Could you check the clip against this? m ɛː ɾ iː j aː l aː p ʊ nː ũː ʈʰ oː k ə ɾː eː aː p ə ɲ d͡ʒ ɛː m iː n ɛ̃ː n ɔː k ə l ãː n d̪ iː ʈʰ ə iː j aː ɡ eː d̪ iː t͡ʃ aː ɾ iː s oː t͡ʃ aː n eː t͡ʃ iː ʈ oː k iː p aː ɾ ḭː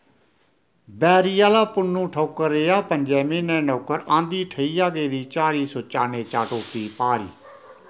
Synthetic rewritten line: b ɛː ɾ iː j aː l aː p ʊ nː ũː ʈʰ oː k ə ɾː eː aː p ə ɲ d͡ʒ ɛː m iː n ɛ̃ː n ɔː k ə ɾ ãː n d̪ iː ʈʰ ə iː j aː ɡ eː d̪ iː t͡ʃ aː ɾ iː s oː t͡ʃ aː n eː t͡ʃ aː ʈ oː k iː p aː ɾ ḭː

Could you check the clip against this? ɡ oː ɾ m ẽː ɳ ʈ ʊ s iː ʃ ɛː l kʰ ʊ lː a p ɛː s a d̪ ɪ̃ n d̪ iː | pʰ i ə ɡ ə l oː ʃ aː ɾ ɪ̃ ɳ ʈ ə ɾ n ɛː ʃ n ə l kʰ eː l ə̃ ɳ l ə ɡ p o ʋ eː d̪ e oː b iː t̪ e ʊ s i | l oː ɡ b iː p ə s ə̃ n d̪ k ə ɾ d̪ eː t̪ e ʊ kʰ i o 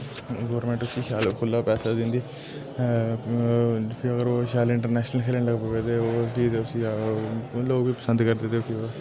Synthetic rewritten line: ɡ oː ɾ m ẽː ɳ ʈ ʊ s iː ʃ aː l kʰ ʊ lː a p ɛː s a d̪ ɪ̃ n d̪ iː | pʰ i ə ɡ ə ɾ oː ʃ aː l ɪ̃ ɳ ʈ ə ɾ n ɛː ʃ n ə l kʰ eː l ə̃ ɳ l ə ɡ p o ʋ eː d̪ e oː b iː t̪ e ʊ s i | l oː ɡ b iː p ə s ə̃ n d̪ k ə ɾ d̪ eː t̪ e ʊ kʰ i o

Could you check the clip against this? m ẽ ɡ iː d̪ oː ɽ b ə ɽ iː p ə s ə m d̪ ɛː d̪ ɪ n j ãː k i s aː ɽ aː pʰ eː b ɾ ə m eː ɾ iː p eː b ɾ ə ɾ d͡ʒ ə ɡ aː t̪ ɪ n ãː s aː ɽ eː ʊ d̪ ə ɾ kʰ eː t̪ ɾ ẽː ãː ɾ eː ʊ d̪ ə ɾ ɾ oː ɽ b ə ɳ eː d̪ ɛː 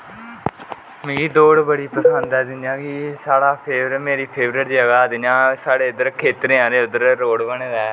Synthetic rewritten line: m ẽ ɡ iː d̪ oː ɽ b ə ɽ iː p ə s ə n d̪ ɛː d̪ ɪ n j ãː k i s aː ɽ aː pʰ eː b ɾ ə m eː ɾ iː pʰ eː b ɾ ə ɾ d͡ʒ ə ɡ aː d̪ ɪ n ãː s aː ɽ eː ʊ d̪ ə ɾ kʰ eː t̪ ɾ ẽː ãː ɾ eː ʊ d̪ ə ɾ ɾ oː ɽ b ə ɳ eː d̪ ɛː

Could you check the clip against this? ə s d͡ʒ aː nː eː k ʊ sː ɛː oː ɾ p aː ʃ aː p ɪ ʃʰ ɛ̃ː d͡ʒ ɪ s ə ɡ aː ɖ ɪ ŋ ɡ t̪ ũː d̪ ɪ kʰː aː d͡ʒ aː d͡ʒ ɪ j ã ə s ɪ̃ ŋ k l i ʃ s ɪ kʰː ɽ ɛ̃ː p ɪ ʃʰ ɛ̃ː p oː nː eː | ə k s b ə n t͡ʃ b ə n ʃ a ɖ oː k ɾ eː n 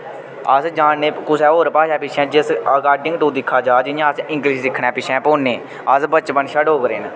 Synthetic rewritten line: ə s d͡ʒ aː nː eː k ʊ s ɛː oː ɾ p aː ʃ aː p ɪ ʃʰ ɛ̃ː d͡ʒ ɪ s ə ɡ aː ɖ ɪ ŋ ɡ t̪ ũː d̪ ɪ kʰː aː d͡ʒ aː d͡ʒ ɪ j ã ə s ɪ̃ ŋ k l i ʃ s ɪ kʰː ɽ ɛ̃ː p ɪ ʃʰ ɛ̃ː p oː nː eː | ə s b ə t͡ʃ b ə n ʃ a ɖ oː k ɾ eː n

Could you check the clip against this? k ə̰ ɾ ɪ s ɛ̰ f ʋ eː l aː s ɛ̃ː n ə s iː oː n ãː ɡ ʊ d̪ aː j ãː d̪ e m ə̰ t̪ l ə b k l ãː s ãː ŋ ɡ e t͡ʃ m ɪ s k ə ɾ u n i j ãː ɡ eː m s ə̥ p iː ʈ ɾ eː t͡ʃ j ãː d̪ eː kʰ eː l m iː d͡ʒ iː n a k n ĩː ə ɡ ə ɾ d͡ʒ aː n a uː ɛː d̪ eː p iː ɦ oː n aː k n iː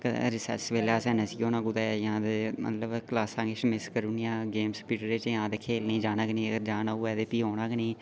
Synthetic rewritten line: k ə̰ ɾ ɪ s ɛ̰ s ʋ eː l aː s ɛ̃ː n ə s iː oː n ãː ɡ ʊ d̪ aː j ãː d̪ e m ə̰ t̪ l ə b k l aː s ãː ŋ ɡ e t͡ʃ m ɪ s k ə ɾ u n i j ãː ɡ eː m s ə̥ p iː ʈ ɾ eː t͡ʃ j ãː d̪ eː kʰ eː l n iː d͡ʒ aː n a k n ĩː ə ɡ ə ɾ d͡ʒ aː n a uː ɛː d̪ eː p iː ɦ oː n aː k n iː

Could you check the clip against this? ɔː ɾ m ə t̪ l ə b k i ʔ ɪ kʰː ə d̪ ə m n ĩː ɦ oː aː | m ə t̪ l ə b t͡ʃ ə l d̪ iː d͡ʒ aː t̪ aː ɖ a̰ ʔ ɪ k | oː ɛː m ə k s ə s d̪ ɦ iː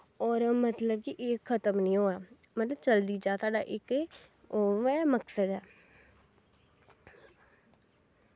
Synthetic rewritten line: ɔː ɾ m ə t̪ l ə b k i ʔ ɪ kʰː ə t̪ ə m n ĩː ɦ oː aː | m ə t̪ l ə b t͡ʃ ə l d̪ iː d͡ʒ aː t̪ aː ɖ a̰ ʔ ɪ k | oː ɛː m ə k s ə d̪ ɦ ɛː

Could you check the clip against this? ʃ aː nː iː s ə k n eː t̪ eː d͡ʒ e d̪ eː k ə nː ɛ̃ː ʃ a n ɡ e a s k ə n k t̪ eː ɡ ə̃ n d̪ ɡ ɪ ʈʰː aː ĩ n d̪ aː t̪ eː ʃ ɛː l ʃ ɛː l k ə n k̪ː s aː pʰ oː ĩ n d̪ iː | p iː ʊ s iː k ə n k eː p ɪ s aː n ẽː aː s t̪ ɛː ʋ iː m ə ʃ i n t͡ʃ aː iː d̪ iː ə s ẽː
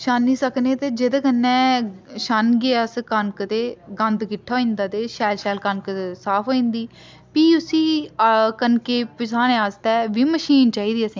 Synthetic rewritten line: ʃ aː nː iː s ə k n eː t̪ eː d͡ʒ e d̪ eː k ə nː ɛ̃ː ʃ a n ɡ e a s k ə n k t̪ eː ɡ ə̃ n d̪ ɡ ɪ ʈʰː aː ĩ n d̪ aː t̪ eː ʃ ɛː l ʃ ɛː l k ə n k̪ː s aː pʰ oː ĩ n d̪ iː | p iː ʊ s iː k ə n k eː p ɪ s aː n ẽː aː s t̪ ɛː ʋ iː m ə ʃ iː n t͡ʃ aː iː d̪ iː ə s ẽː

